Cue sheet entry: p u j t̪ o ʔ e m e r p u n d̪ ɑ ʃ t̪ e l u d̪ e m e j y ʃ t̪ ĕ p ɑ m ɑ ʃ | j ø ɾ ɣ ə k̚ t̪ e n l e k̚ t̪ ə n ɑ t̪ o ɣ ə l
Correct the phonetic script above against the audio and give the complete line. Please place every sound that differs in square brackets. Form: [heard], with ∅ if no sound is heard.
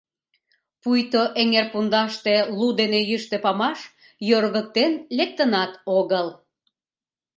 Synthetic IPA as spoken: p u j t̪ o ʔ e [ŋ] e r p u n d̪ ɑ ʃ t̪ e l u d̪ e [n] e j y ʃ t̪ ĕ p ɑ m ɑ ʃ | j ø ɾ ɣ ə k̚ t̪ e n l e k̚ t̪ ə n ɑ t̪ o ɣ ə l